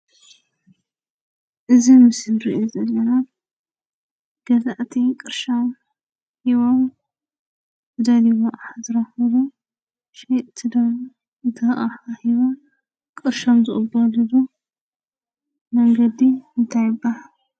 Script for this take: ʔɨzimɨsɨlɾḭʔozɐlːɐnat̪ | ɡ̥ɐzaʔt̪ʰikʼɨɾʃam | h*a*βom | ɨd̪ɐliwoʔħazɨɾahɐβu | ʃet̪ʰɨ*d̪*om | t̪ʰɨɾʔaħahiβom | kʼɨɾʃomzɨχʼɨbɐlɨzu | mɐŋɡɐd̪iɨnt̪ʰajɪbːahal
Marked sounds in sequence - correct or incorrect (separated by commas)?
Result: incorrect, correct